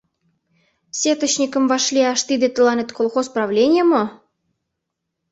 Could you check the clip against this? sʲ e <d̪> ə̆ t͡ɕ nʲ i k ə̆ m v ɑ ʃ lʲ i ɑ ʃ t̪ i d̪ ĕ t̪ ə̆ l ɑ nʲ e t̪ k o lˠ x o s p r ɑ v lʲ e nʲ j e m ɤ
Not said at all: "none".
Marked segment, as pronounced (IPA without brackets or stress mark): t̪